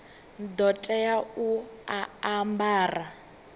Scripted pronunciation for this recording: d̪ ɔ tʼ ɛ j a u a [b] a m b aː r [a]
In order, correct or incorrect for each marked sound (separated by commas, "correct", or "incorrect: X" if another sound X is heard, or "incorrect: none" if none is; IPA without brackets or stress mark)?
incorrect: none, correct